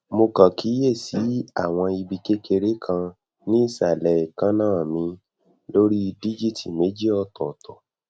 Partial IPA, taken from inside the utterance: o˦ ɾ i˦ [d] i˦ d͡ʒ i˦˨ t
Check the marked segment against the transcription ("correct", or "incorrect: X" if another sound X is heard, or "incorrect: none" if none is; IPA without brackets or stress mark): correct